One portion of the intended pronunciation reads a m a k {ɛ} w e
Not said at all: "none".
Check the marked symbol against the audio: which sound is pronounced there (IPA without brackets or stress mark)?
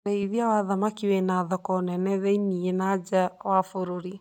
i